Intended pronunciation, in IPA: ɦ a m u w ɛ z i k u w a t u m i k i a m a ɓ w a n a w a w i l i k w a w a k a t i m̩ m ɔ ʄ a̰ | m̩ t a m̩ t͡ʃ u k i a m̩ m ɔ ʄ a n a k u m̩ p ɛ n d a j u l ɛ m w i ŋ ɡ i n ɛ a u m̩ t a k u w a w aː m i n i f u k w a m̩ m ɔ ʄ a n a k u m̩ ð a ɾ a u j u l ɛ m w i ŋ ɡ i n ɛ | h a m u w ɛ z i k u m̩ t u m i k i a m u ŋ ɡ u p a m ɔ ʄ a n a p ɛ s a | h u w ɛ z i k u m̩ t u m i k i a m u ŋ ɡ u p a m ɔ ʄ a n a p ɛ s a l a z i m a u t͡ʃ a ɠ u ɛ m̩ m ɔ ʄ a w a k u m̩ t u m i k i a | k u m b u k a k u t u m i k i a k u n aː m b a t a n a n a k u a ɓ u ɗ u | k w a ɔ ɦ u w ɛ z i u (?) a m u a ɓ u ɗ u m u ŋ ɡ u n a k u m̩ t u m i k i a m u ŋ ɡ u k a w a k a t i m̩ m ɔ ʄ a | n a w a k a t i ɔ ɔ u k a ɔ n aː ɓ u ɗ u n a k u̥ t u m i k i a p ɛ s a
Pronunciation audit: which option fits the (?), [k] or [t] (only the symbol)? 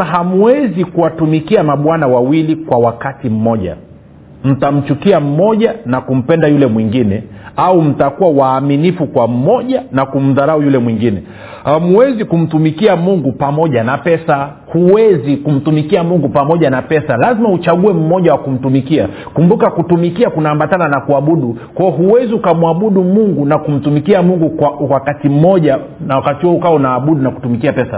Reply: k